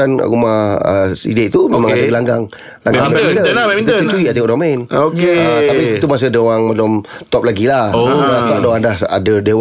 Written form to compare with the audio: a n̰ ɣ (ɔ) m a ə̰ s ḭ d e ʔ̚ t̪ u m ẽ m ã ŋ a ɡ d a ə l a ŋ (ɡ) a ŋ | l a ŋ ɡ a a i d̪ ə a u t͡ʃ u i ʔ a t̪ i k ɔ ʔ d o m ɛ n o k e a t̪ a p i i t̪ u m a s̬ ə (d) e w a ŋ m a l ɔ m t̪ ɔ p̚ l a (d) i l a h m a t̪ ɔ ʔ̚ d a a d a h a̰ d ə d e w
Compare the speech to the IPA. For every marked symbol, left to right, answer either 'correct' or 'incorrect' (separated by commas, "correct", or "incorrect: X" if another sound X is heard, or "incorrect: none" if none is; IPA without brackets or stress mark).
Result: incorrect: u, correct, correct, incorrect: ɡ